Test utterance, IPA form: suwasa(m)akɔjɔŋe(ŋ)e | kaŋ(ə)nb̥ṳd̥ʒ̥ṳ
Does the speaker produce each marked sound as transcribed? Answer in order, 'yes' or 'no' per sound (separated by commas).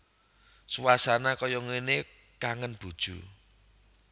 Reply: no, no, yes